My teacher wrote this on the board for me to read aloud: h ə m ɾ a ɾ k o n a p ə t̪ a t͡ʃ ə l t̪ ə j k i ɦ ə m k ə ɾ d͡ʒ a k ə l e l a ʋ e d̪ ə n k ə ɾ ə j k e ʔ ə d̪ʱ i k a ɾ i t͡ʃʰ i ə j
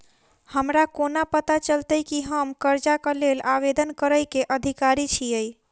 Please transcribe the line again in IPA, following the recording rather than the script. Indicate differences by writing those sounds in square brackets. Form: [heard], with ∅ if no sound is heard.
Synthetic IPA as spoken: h ə m ɾ a [∅] k o n a p ə t̪ a t͡ʃ ə l t̪ ə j k i ɦ ə m k ə ɾ d͡ʒ a k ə l e l a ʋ e d̪ ə n k ə ɾ ə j k e ʔ ə d̪ʱ i k a ɾ i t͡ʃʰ i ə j